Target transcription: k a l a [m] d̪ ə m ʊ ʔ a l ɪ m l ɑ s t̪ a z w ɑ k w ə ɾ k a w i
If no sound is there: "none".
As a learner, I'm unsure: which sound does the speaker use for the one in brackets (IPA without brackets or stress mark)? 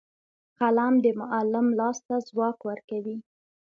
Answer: m